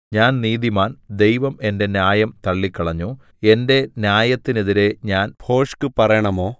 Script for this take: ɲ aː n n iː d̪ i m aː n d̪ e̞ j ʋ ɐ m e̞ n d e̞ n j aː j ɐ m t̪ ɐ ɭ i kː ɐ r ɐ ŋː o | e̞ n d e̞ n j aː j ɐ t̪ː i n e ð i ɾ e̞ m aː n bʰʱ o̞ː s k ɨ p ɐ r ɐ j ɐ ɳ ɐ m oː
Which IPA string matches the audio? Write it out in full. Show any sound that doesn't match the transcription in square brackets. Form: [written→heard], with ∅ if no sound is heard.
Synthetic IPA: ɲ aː n n iː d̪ i m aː n d̪ e̞ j ʋ ɐ m e̞ n d e̞ n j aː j ɐ m t̪ ɐ [ɭ→ɭː] i kː ɐ [r→ɭ] ɐ [ŋː→ɲː] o | e̞ n d e̞ n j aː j ɐ t̪ː i n e ð i ɾ e̞ [m→ɲ] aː n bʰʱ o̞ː [s→ʂ] k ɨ p ɐ r ɐ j ɐ ɳ ɐ m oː